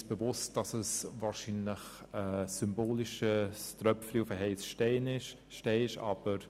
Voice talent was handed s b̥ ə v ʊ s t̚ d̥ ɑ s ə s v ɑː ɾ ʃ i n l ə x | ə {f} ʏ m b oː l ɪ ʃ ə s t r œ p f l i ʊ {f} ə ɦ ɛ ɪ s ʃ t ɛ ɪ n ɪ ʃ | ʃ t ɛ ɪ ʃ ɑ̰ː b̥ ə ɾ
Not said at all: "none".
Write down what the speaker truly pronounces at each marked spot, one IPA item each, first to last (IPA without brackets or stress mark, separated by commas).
s, f